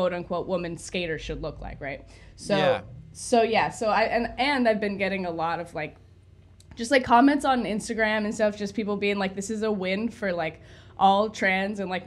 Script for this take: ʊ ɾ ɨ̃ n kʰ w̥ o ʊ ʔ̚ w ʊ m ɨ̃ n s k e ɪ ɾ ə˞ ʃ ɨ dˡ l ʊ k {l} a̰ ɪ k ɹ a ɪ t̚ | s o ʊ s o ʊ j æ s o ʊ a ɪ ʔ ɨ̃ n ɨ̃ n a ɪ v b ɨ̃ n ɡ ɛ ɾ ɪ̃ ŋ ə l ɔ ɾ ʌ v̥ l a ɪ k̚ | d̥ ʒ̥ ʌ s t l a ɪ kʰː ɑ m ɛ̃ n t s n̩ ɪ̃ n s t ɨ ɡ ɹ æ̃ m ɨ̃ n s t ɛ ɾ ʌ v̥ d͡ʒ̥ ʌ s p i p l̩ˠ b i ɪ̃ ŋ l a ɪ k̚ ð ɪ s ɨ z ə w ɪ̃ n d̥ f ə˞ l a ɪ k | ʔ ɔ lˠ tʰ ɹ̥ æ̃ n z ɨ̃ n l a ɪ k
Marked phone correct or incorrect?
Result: correct